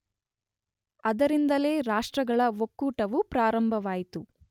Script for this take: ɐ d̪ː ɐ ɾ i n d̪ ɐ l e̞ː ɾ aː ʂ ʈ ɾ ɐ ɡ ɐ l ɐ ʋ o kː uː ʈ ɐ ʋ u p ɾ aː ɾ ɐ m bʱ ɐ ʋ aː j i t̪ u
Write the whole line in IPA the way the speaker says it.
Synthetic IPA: ɐ d̪ ɐ ɾ i n d̪ ɐ l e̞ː ɾ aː ʂ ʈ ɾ ɐ ɡ ɐ ɭ ɐ ʋ o kː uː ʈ ɐ ʋ u p ɾ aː ɾ ɐ m bʱ ɐ ʋ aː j i t̪ u